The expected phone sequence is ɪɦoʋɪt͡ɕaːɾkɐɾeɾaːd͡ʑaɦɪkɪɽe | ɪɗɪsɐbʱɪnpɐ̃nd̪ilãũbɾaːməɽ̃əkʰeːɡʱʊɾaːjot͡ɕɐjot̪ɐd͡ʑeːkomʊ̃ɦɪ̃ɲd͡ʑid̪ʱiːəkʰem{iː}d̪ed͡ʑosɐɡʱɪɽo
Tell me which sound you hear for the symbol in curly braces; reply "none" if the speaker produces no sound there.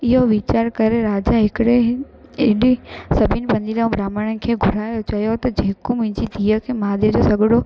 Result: aː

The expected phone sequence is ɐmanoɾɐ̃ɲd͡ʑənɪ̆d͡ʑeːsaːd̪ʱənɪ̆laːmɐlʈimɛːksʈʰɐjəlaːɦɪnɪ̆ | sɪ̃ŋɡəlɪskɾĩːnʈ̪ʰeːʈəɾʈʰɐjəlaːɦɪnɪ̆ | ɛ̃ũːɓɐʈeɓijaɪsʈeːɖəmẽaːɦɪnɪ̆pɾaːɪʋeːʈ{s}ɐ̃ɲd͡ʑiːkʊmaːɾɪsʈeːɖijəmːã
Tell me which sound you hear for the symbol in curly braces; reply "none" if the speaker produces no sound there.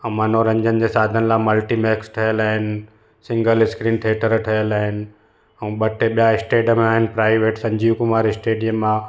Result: s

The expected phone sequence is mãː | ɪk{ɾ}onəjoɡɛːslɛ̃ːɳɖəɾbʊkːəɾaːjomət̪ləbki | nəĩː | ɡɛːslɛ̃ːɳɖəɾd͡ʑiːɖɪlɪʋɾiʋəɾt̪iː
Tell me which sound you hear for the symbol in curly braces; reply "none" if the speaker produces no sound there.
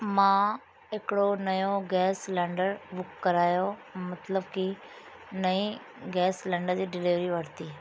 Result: ɽ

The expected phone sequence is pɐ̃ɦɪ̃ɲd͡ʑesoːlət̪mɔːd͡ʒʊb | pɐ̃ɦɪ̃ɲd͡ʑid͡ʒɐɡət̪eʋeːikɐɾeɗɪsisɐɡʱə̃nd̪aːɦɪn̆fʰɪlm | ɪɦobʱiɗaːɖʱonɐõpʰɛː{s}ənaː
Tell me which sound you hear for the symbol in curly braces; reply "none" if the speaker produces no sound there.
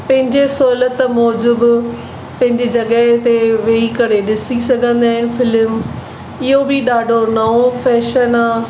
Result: ʃ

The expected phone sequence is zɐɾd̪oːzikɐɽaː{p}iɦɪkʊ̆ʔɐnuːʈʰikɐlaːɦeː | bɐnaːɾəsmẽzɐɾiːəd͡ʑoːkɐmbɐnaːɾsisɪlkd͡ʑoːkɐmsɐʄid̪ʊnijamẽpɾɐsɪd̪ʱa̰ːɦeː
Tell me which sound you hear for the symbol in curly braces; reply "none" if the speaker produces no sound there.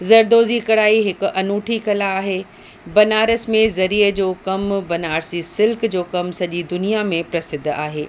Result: none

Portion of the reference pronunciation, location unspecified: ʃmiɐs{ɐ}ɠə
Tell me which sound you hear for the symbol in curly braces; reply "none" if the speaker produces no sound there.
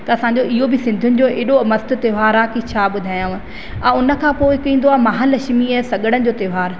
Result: ɐ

